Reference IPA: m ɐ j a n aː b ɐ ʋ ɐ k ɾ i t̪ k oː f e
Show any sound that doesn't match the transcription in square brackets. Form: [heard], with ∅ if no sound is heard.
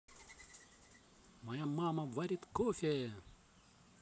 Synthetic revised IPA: m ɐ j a [m] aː [m] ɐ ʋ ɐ [∅] ɾ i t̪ k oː f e